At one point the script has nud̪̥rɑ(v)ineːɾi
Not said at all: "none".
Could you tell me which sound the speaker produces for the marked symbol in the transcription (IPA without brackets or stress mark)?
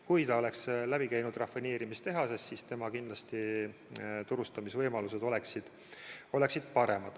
f